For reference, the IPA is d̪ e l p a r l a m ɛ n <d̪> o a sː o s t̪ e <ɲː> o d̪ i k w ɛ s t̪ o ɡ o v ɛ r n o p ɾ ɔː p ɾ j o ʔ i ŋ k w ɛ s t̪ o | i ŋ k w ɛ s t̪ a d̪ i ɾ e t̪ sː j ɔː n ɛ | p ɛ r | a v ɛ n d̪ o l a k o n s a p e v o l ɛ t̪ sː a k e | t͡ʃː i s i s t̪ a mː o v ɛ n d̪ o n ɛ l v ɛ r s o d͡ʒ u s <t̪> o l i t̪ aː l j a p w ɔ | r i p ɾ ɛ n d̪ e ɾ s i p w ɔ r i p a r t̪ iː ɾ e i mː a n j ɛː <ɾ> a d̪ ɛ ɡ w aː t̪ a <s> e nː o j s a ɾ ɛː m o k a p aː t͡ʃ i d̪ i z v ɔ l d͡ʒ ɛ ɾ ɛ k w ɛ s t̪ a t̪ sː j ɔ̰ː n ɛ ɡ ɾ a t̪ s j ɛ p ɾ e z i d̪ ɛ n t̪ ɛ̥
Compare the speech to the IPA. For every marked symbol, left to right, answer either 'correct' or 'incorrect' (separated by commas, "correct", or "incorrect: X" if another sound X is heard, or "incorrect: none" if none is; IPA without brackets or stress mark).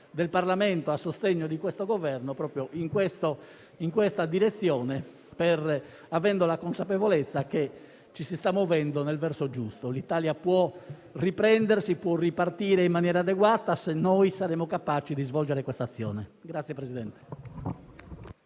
incorrect: t̪, correct, correct, correct, correct